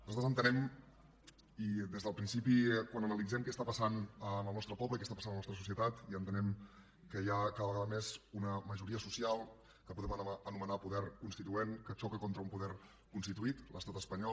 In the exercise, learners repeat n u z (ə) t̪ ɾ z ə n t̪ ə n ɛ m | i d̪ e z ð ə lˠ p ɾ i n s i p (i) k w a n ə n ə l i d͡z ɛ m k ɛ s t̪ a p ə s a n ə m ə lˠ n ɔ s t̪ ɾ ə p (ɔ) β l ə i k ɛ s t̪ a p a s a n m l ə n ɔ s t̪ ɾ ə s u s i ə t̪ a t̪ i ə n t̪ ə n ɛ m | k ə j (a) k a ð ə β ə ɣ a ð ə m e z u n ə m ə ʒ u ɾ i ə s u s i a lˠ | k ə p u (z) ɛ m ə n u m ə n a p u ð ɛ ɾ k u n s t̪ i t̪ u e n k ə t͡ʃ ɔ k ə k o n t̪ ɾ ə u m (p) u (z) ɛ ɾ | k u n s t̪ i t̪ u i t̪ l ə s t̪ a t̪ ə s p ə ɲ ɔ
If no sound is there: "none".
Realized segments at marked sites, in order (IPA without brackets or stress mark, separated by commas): a, i, ɔ, a, ð, p, ð